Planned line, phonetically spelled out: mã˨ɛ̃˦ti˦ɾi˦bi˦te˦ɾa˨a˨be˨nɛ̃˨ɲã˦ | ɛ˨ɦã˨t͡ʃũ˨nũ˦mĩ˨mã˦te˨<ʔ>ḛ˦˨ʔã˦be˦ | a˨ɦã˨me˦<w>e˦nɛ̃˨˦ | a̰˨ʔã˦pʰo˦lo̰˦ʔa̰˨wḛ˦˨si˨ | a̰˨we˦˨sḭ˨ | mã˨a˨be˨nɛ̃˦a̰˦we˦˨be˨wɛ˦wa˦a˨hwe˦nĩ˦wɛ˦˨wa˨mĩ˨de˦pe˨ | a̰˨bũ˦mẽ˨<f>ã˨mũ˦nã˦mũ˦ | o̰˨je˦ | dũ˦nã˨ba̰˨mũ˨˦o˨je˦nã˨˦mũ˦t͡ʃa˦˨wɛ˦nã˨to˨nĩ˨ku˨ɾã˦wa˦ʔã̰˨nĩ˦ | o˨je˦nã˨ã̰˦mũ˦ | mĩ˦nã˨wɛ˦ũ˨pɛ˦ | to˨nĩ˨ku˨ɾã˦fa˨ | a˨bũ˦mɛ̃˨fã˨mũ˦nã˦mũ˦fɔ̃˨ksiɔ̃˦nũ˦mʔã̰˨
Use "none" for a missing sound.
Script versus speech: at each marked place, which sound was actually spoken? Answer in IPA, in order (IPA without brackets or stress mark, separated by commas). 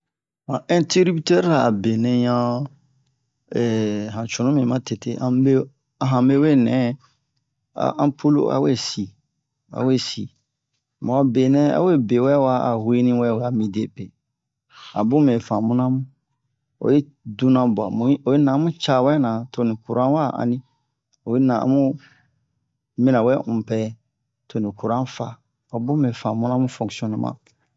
t, w, f